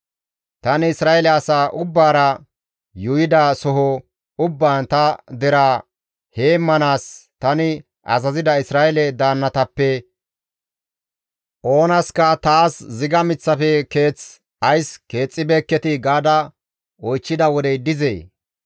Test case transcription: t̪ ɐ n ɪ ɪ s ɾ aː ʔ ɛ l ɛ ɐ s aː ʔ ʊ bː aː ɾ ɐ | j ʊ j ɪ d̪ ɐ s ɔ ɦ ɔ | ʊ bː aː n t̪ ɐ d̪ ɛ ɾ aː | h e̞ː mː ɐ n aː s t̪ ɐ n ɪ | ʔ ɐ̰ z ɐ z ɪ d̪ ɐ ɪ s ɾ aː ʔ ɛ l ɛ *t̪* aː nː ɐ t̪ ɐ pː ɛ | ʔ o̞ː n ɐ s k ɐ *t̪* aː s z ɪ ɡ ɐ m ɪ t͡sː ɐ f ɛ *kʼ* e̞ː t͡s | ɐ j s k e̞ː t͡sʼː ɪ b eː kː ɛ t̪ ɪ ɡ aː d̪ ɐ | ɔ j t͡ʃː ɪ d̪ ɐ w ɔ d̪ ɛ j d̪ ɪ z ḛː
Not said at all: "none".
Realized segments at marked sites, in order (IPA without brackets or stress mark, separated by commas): d̪, t̪, k